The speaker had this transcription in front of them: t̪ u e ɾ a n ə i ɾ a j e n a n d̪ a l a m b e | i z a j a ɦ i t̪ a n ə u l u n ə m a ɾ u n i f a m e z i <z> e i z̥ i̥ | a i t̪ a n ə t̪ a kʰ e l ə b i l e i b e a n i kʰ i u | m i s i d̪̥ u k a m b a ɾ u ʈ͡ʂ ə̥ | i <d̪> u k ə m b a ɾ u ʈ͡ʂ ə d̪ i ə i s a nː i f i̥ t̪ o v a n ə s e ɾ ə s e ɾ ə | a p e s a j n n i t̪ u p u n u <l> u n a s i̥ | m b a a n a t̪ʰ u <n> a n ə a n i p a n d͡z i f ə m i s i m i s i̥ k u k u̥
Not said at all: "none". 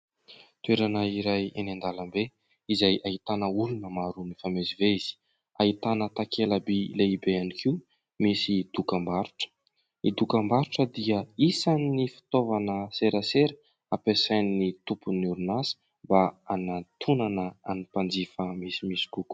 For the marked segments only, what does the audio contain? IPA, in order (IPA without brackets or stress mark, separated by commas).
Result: v, d̪, ɾ, n